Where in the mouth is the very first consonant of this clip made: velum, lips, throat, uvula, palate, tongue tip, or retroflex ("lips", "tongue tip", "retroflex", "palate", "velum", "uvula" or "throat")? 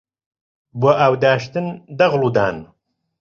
lips